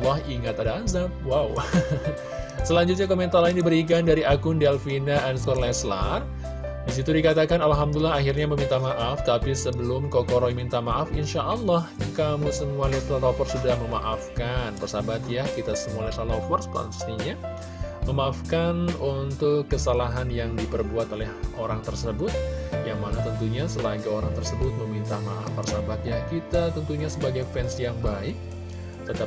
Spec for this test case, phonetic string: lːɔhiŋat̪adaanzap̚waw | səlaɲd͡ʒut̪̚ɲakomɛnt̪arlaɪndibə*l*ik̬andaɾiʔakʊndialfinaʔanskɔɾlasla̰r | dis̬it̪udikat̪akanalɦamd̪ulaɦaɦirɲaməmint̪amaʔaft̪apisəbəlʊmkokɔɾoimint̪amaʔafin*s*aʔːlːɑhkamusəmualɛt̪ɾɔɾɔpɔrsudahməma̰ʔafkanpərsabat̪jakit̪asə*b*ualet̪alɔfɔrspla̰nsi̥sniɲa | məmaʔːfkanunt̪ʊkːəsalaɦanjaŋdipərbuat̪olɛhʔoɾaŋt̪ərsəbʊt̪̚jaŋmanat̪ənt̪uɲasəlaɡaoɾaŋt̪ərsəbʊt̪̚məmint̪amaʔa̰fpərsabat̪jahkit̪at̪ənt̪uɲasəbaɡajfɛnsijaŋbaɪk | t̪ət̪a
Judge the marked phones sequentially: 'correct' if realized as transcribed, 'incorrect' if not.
incorrect, incorrect, incorrect

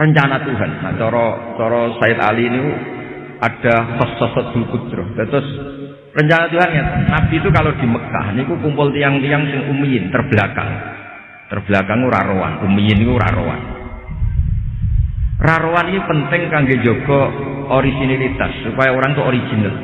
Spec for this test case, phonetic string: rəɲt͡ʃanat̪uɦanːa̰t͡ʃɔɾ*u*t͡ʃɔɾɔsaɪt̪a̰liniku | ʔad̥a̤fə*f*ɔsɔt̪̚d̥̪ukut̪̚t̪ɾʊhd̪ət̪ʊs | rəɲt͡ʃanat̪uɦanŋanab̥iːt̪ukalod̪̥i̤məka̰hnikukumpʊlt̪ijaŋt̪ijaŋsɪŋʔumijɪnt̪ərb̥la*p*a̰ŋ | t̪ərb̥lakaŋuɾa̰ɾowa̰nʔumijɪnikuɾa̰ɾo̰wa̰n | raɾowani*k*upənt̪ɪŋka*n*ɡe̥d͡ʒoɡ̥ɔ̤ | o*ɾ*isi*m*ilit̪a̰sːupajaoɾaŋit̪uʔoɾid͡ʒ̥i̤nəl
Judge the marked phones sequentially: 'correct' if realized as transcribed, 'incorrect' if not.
incorrect, incorrect, incorrect, correct, incorrect, correct, incorrect

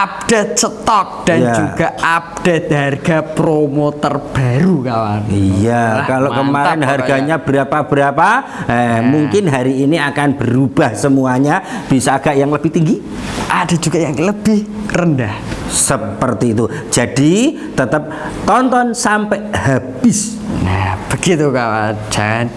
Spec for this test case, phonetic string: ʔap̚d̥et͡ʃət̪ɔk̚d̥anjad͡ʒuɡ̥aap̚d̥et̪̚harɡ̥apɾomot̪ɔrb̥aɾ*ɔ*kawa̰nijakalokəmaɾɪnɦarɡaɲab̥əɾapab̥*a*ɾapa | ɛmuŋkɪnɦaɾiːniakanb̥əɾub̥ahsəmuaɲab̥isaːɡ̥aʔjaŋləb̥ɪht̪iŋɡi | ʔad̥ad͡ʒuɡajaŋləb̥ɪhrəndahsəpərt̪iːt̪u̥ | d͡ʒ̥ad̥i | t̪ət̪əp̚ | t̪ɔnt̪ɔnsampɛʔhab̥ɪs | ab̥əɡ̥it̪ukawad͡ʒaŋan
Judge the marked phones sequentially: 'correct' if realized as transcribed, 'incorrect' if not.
incorrect, incorrect

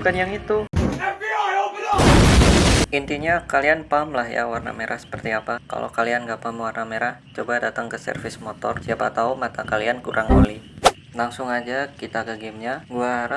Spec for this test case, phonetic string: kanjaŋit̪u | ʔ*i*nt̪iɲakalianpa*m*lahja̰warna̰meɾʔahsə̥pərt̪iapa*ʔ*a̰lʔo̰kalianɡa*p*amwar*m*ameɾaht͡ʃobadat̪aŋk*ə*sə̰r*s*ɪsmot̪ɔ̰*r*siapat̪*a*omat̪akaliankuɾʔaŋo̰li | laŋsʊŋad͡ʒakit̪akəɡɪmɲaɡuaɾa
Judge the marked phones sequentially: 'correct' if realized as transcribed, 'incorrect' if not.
correct, correct, incorrect, correct, incorrect, correct, incorrect, correct, correct

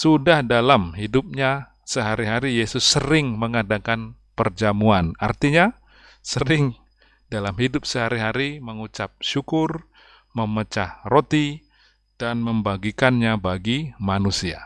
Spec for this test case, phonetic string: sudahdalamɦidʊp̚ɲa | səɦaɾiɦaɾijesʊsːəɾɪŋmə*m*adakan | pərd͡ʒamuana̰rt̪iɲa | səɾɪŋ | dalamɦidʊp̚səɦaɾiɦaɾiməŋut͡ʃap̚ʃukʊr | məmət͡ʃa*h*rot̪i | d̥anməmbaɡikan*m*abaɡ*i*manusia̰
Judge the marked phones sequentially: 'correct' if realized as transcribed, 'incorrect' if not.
incorrect, correct, incorrect, correct

